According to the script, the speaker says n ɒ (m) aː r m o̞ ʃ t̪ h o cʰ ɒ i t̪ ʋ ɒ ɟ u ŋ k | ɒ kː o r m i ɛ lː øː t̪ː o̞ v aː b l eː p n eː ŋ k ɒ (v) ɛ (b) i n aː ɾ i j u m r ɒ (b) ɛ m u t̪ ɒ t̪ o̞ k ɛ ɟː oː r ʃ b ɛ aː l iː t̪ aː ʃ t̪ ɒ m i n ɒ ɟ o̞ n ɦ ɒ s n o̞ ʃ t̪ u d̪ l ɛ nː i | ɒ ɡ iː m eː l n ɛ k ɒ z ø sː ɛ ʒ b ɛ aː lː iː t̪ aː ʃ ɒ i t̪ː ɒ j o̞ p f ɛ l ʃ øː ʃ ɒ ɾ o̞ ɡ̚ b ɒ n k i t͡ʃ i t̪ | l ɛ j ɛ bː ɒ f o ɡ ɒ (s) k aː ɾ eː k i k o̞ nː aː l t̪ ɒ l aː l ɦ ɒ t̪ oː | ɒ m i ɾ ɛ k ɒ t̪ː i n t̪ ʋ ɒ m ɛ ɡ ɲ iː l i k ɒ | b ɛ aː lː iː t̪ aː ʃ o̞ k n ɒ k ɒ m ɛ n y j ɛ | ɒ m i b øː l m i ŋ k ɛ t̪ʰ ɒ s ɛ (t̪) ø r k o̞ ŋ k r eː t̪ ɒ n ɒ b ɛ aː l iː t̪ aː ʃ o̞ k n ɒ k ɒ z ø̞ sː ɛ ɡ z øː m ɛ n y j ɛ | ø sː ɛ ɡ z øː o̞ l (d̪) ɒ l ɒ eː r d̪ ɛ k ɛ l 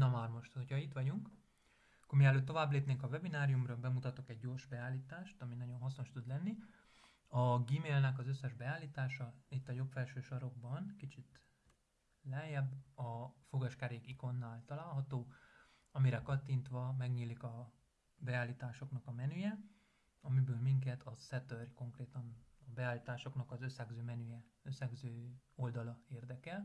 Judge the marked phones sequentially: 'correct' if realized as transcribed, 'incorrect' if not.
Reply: correct, correct, correct, correct, incorrect: ʃ, correct, correct

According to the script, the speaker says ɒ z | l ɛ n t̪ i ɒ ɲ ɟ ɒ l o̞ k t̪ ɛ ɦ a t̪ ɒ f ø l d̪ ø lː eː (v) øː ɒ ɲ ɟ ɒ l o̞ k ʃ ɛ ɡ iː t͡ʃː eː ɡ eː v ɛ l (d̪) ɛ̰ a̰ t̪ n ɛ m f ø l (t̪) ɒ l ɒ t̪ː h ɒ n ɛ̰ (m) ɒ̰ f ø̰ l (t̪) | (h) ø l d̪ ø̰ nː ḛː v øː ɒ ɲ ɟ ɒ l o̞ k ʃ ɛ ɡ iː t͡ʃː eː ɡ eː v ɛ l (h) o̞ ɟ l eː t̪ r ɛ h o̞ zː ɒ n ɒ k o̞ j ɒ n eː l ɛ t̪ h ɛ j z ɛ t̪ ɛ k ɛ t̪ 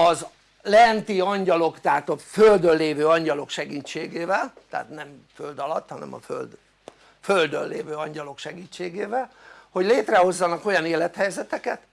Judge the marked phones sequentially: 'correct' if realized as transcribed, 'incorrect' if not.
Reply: correct, incorrect: t̪, incorrect: d̪, correct, incorrect: d̪, incorrect: f, correct

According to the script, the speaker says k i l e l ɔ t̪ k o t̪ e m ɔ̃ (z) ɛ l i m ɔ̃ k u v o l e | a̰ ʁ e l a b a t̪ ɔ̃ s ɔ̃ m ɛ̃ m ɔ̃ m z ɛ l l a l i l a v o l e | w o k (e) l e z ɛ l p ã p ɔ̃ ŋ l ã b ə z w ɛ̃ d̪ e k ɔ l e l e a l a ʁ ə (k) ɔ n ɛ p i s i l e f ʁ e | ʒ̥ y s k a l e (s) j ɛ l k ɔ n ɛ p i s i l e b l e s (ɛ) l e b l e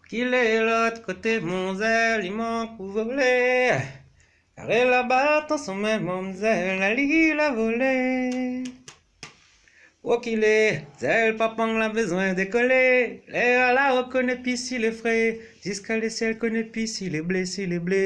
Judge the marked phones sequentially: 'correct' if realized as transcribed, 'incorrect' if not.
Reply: correct, incorrect: i, correct, correct, incorrect: i

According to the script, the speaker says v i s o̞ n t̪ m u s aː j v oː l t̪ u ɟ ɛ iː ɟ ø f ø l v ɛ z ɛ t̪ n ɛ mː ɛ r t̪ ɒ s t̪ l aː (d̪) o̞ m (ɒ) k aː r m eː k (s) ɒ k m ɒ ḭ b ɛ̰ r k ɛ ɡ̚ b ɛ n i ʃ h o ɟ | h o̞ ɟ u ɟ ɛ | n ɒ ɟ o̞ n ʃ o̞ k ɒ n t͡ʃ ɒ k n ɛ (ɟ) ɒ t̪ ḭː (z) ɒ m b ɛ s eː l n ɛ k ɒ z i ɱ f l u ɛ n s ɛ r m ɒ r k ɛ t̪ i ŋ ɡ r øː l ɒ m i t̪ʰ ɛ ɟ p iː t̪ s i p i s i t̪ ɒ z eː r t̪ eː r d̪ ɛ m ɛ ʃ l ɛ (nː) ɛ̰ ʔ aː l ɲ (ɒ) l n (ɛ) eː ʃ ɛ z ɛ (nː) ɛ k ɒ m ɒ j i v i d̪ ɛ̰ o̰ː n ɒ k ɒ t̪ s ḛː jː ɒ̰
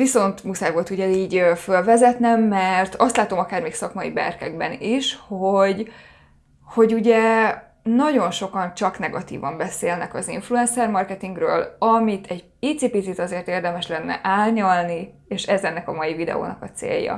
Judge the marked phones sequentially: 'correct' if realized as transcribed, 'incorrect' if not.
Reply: incorrect: t̪, correct, correct, incorrect: ɡ, incorrect: v, correct, correct, incorrect: i, correct

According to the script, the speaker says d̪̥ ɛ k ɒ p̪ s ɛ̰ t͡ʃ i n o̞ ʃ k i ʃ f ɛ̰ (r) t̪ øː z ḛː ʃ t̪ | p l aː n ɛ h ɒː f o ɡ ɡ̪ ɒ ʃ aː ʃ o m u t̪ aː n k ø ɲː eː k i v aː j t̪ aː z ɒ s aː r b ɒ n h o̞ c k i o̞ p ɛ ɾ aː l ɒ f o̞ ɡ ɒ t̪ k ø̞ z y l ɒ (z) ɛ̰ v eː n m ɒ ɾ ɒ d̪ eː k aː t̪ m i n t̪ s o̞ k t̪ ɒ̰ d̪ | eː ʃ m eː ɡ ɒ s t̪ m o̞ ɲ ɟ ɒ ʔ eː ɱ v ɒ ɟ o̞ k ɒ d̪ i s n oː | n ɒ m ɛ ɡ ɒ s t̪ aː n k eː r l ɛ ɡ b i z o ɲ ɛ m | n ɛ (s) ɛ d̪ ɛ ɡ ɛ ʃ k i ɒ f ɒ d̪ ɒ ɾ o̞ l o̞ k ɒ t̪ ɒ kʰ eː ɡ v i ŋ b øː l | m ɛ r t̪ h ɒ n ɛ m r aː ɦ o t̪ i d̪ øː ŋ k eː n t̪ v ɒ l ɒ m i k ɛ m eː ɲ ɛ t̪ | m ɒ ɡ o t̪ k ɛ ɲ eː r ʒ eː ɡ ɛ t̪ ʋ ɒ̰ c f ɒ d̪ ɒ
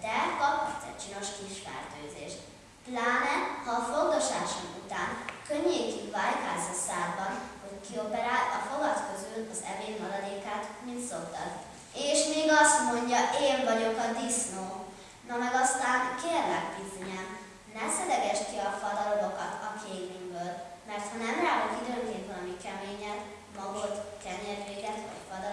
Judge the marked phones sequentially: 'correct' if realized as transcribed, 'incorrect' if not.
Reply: correct, correct, correct

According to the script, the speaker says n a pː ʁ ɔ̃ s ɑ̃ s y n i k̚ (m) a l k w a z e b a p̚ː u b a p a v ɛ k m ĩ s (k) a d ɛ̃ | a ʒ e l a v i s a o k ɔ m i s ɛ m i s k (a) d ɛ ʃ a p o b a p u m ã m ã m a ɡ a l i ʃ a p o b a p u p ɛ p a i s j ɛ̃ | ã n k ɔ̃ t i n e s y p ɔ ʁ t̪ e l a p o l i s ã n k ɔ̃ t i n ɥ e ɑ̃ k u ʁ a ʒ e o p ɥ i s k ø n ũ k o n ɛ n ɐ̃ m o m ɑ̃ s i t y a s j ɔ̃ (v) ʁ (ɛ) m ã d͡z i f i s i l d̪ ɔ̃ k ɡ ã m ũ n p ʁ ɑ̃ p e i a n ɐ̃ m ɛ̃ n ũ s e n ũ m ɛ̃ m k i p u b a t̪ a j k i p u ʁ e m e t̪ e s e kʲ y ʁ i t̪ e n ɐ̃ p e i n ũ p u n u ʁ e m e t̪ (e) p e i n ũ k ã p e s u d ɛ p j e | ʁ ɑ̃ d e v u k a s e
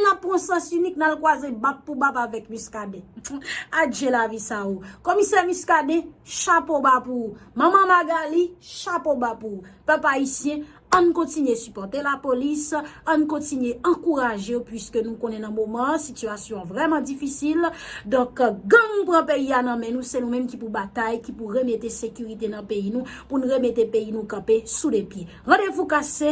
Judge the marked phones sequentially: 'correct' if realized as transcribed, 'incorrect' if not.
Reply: incorrect: n, correct, correct, correct, correct, correct

